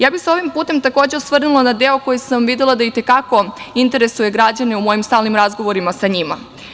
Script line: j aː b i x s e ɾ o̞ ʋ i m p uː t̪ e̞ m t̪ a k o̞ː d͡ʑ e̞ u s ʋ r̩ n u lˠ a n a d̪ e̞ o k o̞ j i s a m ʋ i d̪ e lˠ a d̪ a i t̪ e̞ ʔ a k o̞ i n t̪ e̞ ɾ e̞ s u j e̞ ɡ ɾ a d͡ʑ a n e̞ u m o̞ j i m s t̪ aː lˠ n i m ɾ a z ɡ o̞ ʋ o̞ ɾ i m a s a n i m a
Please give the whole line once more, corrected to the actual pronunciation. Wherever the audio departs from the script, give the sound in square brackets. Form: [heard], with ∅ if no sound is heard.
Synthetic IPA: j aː b i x s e [∅] o̞ ʋ i m p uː t̪ e̞ m t̪ a k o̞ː d͡ʑ e̞ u s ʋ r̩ n u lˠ a n a d̪ e̞ o k o̞ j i s a m ʋ i d̪ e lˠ a d̪ a i t̪ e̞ [k] a k o̞ i n t̪ e̞ ɾ e̞ s u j e̞ ɡ ɾ a d͡ʑ a n e̞ u m o̞ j i m s t̪ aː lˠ n i m ɾ a z ɡ o̞ ʋ o̞ ɾ i m a s a [ɲ] i m a

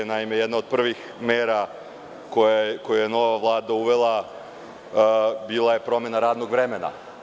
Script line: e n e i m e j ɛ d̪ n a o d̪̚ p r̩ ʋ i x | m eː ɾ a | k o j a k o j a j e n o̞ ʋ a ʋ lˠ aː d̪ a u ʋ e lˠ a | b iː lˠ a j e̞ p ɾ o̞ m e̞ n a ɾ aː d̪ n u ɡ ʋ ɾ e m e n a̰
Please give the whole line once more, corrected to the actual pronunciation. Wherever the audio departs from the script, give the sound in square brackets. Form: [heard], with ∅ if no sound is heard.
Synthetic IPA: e n [a] i m e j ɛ d̪ n a o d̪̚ p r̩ ʋ i x | m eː ɾ a | k o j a k o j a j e n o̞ ʋ a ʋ lˠ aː d̪ a u ʋ e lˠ a | b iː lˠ a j e̞ p ɾ o̞ m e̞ n a ɾ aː d̪ n [o] ɡ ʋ ɾ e m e n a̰

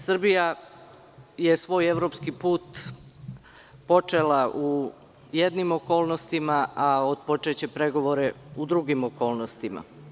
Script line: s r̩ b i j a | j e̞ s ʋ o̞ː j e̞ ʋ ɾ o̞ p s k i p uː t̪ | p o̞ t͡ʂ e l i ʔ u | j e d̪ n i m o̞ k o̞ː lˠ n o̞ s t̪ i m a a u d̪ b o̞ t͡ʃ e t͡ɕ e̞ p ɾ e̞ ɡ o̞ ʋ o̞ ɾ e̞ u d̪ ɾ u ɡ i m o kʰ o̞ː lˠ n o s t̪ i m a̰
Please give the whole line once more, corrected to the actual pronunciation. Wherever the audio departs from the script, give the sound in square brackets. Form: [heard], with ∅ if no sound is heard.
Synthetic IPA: s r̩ b i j a | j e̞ s ʋ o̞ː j e̞ ʋ ɾ o̞ p s k i p uː t̪ | p o̞ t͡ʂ e l [a] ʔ u | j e d̪ n i m o̞ k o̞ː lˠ n o̞ s t̪ i m a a [o] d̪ [p] o̞ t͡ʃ e t͡ɕ e̞ p ɾ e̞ ɡ o̞ ʋ o̞ ɾ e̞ u d̪ ɾ u ɡ i m o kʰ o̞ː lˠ n o s t̪ i m a̰

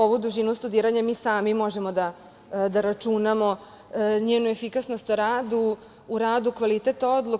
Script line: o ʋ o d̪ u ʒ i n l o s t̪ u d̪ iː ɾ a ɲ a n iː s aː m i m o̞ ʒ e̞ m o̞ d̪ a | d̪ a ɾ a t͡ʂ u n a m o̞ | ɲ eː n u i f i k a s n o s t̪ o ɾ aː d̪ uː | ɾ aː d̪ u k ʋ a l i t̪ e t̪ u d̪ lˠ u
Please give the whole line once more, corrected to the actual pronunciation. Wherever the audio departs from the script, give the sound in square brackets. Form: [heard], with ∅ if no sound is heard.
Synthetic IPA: o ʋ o d̪ u ʒ i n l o s t̪ u d̪ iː ɾ a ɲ a [m] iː s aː m i m o̞ ʒ e̞ m o̞ d̪ a | d̪ a ɾ a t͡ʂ u n a m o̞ | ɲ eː n u [e] f i k a s n o s t̪ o ɾ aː d̪ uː | ɾ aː d̪ u k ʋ a l i t̪ e t̪ [o] d̪ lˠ u

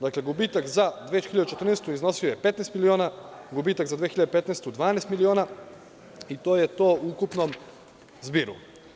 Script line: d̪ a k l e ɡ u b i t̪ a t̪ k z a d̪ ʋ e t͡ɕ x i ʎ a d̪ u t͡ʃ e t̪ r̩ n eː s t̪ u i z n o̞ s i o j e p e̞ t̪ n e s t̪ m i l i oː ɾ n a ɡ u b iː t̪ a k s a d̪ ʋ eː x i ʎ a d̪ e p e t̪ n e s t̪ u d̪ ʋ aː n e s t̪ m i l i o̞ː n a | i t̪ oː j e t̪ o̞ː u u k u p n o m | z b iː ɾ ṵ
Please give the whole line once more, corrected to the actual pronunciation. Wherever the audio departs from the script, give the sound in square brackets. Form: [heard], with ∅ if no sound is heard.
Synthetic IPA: d̪ a k l e ɡ u b i t̪ a [∅] k z a d̪ ʋ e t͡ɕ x i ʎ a d̪ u t͡ʃ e t̪ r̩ n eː s t̪ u i z n o̞ s i o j e p e̞ t̪ n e s t̪ m i l i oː [∅] n a ɡ u b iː t̪ a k [z] a d̪ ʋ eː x i ʎ a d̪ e p e t̪ n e s t̪ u d̪ ʋ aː n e s t̪ m i l i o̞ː n a | i t̪ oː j e t̪ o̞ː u u k u p n o m | z b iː ɾ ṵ

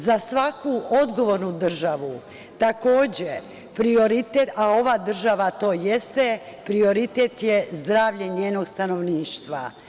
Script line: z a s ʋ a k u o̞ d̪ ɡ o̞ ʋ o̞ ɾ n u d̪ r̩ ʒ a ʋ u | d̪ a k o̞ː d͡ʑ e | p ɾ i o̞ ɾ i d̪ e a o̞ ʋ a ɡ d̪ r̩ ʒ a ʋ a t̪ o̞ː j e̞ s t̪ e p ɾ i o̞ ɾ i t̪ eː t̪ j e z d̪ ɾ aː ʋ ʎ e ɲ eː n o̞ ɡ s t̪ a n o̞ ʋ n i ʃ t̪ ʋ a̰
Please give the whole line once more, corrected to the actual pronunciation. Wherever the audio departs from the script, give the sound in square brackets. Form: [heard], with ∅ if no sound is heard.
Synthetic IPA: z a s ʋ a k u o̞ d̪ ɡ o̞ ʋ o̞ ɾ n u d̪ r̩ ʒ a ʋ u | [t̪] a k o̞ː d͡ʑ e | p ɾ i o̞ ɾ i [t̪] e a o̞ ʋ a [∅] d̪ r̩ ʒ a ʋ a t̪ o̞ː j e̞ s t̪ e p ɾ i o̞ ɾ i t̪ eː t̪ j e z d̪ ɾ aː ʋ ʎ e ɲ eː n o̞ ɡ s t̪ a n o̞ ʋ n [iː] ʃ t̪ ʋ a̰

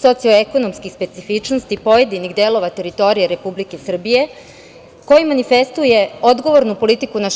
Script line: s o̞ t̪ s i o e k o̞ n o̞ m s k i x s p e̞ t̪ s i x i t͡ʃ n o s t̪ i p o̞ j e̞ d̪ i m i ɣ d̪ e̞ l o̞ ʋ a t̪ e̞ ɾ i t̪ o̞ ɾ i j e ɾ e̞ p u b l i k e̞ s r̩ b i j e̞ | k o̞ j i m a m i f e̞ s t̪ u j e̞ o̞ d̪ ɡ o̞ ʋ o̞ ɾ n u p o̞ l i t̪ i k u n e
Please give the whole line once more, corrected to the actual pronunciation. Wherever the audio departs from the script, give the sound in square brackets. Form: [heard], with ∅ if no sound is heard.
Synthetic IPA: s o̞ t̪ s i o e k o̞ n o̞ m s k i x s p e̞ t̪ s i [f] i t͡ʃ n o s t̪ i p o̞ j e̞ d̪ i [n] i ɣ d̪ e̞ l o̞ ʋ a t̪ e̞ ɾ i t̪ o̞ ɾ i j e ɾ e̞ p u b l i k e̞ s r̩ b i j e̞ | k o̞ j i m a [n] i f e̞ s t̪ u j e̞ o̞ d̪ ɡ o̞ ʋ o̞ ɾ n u p o̞ l i t̪ i k u n [a]

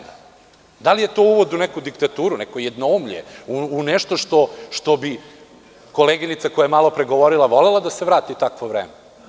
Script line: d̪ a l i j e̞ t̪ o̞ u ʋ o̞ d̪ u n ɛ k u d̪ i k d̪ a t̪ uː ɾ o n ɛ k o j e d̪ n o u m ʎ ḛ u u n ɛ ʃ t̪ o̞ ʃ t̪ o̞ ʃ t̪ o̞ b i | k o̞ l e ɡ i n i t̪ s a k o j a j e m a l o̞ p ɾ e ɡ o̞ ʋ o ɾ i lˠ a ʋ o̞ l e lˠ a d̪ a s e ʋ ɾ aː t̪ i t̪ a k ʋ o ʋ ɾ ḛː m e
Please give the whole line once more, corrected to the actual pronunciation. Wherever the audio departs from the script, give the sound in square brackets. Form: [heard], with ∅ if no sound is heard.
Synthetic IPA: d̪ a l i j e̞ t̪ o̞ u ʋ o̞ d̪ u n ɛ k u d̪ i k [t̪] a t̪ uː ɾ [u] n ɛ k o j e d̪ n o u m ʎ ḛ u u n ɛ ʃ t̪ o̞ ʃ t̪ o̞ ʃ t̪ o̞ b i | k o̞ l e ɡ i n i t̪ s a k o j a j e m a l o̞ p ɾ e ɡ o̞ ʋ o ɾ i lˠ a ʋ o̞ l e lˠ a d̪ a s e ʋ ɾ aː t̪ i t̪ a k ʋ o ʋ ɾ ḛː m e

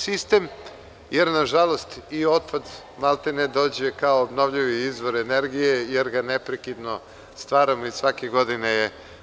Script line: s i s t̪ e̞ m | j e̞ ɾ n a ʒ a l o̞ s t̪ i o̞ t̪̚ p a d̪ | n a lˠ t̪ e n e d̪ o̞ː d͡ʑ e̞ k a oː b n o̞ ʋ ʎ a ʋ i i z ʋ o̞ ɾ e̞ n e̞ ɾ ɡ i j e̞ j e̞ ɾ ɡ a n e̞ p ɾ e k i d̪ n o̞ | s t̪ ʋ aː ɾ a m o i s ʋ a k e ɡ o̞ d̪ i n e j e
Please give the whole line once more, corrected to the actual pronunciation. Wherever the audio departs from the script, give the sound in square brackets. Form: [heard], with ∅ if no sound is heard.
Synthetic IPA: s i s t̪ e̞ m | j e̞ ɾ n a ʒ a l o̞ s t̪ i o̞ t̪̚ p a d̪ | [m] a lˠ t̪ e n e d̪ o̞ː d͡ʑ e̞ k a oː b n o̞ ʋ ʎ [i] ʋ i i z ʋ o̞ ɾ e̞ n e̞ ɾ ɡ i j e̞ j e̞ ɾ ɡ a n e̞ p ɾ e k i d̪ n o̞ | s t̪ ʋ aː ɾ a m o i s ʋ a k e ɡ o̞ d̪ i n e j e

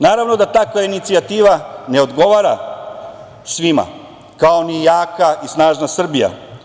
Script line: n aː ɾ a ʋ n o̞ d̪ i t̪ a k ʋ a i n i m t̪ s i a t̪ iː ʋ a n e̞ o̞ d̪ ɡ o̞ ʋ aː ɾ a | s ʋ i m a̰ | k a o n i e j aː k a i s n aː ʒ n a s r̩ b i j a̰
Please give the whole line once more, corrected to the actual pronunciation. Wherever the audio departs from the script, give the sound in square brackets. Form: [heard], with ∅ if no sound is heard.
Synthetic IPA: n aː ɾ a ʋ n o̞ d̪ [a] t̪ a k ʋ a i n i [∅] t̪ s i a t̪ iː ʋ a n e̞ o̞ d̪ ɡ o̞ ʋ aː ɾ a | s ʋ i m a̰ | k a o n i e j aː k a i s n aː ʒ n a s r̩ b i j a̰

